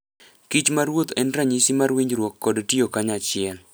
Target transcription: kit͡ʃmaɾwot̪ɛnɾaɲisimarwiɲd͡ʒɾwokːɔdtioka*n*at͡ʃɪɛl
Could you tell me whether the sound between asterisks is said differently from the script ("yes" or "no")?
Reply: yes